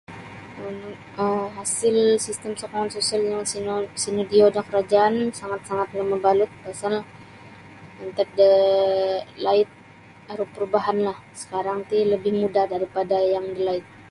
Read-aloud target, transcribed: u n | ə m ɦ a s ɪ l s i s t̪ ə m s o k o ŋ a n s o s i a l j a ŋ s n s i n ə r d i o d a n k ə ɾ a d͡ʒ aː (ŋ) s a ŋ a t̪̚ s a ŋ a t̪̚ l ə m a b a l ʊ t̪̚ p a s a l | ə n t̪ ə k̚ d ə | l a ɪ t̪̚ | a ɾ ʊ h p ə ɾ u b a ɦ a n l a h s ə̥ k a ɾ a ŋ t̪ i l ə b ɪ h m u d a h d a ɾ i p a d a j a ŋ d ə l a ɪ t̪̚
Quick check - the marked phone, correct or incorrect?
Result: incorrect